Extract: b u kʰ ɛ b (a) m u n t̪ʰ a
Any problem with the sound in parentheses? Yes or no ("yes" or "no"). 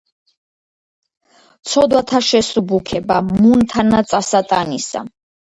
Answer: no